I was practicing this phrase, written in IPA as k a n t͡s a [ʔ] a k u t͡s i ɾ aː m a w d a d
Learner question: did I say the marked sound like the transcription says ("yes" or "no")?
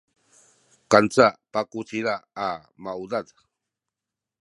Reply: no